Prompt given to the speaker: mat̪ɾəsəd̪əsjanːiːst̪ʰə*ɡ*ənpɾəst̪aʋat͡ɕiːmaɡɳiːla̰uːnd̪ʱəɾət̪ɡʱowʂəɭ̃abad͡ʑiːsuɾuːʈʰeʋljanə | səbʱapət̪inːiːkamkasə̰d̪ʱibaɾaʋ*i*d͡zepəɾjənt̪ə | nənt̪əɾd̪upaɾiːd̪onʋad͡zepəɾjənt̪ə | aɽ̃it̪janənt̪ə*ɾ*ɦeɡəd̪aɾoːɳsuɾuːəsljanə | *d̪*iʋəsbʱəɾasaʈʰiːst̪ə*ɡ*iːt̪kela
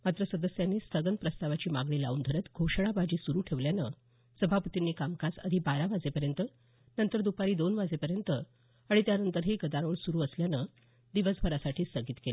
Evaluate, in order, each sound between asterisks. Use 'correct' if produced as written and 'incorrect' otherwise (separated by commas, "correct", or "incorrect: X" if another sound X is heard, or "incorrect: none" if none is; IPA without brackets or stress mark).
correct, incorrect: a, correct, correct, correct